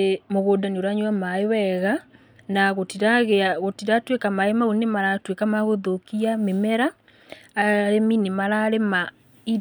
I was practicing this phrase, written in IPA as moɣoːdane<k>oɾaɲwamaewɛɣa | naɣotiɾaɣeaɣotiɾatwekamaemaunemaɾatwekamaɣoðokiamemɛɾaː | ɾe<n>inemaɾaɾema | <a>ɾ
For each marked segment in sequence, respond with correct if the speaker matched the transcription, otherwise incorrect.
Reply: incorrect: none, incorrect: m, incorrect: i

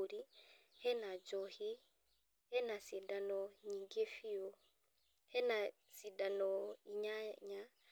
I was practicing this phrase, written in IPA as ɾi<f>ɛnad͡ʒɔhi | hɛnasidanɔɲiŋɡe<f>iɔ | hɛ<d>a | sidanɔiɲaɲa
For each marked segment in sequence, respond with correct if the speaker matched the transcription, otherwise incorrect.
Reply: incorrect: h, correct, incorrect: n

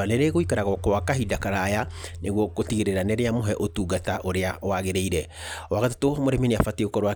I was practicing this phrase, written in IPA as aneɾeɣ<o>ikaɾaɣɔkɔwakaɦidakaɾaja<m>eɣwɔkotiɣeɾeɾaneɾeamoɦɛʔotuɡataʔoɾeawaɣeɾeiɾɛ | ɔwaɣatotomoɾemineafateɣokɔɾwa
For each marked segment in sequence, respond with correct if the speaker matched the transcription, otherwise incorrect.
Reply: correct, incorrect: n

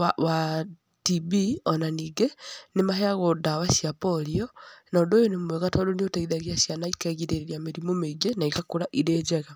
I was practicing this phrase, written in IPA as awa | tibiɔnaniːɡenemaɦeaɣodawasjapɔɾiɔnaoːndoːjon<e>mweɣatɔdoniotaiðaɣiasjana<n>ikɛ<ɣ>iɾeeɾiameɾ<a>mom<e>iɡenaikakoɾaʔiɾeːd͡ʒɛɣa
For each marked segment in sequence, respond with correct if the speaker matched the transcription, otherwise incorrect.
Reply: correct, incorrect: none, correct, incorrect: i, correct

